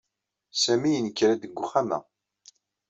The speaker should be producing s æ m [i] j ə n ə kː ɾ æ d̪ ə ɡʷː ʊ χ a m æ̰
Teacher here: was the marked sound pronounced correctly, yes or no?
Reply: yes